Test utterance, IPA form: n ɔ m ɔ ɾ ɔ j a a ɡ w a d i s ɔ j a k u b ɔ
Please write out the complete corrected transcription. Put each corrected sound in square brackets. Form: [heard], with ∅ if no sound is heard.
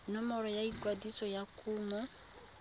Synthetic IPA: n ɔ m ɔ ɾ ɔ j a [i] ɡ w a d i s ɔ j a k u [m] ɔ